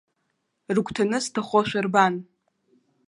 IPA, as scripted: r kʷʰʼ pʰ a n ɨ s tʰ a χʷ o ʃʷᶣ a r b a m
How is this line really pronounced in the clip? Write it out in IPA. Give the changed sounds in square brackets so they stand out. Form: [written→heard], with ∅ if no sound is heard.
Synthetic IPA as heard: r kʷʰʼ [pʰ→tʰ] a n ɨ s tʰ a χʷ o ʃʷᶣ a r b a [m→n]